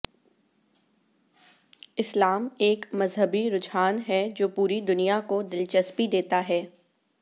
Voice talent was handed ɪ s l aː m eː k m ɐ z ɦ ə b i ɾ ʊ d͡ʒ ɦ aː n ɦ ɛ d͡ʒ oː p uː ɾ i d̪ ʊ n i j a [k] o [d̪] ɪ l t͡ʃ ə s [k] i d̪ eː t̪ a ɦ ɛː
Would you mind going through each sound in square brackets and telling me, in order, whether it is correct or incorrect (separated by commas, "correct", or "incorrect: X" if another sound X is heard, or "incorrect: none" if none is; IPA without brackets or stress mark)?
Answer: correct, correct, incorrect: p